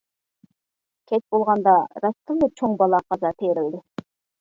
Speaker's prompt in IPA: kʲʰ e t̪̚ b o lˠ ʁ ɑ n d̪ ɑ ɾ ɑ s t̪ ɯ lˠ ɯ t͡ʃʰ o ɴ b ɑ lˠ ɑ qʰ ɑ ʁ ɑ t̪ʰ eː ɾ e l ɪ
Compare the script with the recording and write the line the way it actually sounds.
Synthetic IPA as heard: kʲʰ e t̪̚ b o lˠ ʁ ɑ n d̪ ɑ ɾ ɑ s t̪ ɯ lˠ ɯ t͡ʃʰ o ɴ b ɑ lˠ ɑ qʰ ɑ z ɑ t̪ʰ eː ɾ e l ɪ